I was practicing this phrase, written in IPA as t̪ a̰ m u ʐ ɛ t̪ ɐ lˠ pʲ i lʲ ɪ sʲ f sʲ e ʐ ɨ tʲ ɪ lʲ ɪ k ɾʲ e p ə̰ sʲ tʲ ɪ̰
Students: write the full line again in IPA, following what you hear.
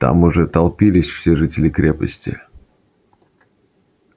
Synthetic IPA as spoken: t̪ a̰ m ʊ ʐ ɛ t̪ ɐ lˠ pʲ i lʲ ɪ sʲ f sʲ e ʐ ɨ tʲ ɪ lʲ ɪ k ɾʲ e p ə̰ sʲ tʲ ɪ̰